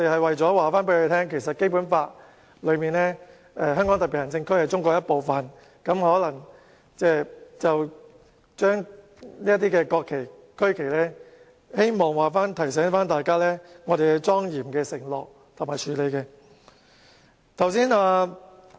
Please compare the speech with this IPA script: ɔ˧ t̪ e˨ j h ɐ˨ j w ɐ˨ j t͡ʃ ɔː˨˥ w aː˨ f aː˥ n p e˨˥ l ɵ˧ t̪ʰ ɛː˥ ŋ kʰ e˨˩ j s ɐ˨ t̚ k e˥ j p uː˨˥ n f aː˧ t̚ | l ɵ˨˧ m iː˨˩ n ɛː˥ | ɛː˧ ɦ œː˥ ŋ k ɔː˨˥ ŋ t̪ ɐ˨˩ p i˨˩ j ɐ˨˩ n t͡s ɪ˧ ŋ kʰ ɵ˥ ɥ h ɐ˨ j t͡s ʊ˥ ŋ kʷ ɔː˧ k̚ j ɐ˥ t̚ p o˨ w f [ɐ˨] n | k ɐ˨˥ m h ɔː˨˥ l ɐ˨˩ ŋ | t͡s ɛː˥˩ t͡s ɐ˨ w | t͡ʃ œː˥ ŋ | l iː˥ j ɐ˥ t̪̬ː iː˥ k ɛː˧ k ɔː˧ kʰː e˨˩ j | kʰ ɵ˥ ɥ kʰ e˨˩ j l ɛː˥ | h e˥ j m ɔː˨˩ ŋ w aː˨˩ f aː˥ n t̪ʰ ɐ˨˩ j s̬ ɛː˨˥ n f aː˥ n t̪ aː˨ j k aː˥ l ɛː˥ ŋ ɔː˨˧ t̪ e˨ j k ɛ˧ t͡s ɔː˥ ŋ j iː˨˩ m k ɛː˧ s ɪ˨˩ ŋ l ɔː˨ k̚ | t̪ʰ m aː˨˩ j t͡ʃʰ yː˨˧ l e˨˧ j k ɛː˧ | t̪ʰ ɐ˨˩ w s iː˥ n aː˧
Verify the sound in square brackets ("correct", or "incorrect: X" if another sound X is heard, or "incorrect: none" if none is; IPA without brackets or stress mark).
correct